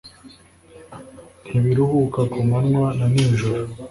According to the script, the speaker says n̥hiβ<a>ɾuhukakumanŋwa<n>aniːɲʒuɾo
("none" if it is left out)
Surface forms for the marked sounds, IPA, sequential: i, n

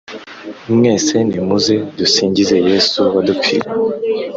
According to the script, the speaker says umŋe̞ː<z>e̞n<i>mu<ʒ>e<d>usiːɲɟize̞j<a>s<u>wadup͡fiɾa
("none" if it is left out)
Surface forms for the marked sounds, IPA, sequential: s, i, z, d, e, u

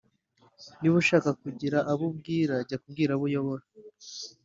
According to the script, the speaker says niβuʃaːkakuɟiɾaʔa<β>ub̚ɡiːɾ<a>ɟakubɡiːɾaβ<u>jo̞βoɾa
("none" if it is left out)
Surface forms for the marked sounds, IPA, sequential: β, a, u

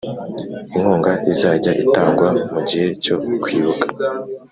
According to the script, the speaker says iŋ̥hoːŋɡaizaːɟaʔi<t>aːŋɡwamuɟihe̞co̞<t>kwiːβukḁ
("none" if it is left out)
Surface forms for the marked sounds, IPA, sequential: t, none

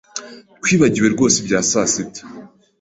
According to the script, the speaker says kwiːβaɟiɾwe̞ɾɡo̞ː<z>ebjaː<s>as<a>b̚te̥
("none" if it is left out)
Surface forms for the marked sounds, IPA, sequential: s, s, i

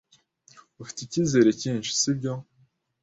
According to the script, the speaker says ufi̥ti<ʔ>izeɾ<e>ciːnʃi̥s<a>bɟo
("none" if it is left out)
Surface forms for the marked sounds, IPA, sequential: c, e, i

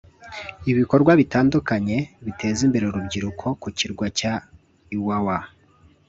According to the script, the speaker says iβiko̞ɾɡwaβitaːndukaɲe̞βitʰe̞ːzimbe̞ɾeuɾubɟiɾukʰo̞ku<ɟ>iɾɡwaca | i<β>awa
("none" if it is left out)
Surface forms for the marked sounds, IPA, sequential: c, w

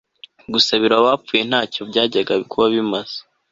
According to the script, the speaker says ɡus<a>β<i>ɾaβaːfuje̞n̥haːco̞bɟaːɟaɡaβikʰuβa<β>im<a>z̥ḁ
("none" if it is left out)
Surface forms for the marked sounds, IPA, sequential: a, i, β, a

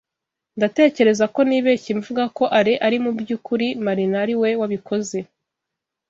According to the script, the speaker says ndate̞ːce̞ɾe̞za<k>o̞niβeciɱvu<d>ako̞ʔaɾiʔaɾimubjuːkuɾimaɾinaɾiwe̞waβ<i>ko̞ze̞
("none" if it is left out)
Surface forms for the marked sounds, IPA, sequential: k, ɡ, i

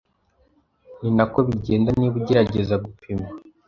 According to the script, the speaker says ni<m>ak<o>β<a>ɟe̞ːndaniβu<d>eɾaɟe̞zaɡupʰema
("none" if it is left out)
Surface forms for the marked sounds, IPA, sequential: n, o, i, ɟ

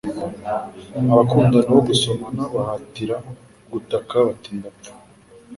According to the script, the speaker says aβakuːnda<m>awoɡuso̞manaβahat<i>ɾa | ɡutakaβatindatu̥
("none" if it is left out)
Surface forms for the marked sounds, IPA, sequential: n, i

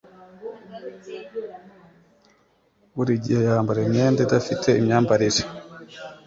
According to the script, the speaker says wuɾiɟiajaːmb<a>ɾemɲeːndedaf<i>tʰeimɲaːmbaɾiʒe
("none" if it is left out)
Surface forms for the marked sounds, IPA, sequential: a, i

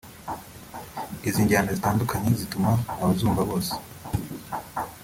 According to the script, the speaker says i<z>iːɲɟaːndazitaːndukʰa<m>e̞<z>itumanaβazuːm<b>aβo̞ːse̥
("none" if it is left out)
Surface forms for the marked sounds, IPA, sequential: z, ɲ, z, v

